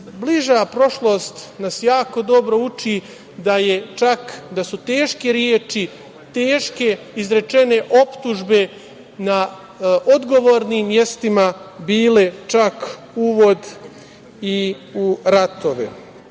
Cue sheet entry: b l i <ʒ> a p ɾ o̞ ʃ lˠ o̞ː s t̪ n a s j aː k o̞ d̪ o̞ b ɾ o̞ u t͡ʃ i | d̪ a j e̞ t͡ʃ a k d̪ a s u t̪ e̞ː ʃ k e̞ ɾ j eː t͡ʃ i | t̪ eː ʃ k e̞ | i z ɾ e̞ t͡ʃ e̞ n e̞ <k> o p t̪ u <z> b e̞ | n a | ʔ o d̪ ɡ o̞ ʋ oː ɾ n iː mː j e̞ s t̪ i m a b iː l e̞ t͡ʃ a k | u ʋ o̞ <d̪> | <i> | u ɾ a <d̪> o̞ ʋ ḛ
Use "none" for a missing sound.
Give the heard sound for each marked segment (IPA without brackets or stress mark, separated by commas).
ʒ, ʔ, ʒ, d̪, i, t̪